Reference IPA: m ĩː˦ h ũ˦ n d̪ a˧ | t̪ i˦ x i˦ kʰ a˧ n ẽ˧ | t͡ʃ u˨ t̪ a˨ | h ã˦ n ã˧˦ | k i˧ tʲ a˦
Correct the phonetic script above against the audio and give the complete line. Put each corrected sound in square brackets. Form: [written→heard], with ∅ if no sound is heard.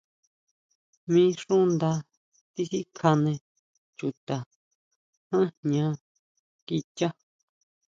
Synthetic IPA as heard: m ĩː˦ [h→ʂ] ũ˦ n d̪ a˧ | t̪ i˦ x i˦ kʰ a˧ n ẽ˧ | t͡ʃ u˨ t̪ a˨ | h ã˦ [n→ɲ] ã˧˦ | k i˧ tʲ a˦